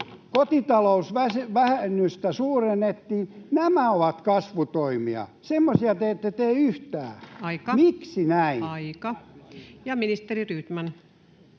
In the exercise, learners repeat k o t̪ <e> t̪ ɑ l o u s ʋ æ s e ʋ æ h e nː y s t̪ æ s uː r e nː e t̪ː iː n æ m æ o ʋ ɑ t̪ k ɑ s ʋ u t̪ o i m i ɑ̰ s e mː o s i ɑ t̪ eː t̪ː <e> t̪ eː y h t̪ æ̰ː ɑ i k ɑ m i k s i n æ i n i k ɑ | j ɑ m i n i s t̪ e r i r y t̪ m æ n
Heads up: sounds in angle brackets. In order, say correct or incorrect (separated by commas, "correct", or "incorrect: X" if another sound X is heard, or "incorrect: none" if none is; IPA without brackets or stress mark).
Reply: incorrect: i, correct